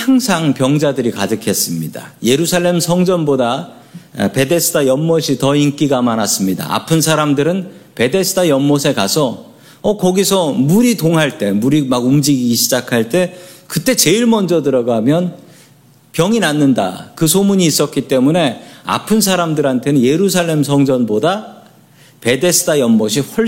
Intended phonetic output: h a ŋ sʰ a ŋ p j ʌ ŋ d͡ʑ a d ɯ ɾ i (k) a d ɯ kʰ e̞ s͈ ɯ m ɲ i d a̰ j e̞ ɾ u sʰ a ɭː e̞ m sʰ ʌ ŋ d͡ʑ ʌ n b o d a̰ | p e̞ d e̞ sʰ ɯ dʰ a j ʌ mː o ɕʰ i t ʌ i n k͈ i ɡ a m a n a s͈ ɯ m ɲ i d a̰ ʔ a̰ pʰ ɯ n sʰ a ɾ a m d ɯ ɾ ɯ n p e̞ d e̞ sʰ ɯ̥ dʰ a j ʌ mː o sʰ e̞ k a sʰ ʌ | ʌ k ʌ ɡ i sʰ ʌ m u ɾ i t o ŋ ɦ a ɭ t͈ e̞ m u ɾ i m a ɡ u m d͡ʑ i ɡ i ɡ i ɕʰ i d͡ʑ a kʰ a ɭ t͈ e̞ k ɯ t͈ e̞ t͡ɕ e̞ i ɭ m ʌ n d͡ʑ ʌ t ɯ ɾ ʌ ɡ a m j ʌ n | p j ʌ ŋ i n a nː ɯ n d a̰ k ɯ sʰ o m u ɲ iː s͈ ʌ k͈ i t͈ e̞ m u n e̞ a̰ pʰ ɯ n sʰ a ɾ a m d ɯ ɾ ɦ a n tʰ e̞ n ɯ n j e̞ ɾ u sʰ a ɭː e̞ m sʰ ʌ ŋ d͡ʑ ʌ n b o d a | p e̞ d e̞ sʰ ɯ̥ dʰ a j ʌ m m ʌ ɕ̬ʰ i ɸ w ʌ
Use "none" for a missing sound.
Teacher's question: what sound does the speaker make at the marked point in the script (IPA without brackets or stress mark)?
k